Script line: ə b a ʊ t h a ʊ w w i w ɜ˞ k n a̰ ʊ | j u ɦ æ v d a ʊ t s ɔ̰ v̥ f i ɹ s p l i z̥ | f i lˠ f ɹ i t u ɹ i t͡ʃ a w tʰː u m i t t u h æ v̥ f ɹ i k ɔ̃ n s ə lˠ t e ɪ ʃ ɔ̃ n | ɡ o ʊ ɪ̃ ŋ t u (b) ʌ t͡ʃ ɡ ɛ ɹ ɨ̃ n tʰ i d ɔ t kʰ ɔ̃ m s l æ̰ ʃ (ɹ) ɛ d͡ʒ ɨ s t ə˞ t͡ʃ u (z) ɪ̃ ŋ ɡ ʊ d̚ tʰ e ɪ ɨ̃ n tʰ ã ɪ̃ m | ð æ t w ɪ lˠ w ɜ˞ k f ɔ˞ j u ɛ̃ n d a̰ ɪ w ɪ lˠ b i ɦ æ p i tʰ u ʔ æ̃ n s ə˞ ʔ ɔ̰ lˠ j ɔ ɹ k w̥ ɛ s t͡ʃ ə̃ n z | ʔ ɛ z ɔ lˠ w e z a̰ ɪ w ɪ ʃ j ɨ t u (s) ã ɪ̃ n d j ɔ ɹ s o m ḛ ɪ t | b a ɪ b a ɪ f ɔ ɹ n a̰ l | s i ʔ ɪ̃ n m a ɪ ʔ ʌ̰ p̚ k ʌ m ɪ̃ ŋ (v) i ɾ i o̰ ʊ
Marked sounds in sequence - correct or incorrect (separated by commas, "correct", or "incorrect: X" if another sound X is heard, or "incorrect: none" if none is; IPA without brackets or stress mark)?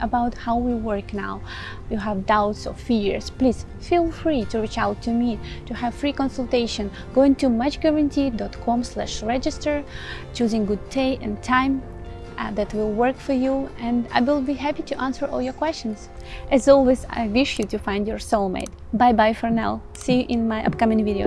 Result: incorrect: m, correct, correct, incorrect: f, correct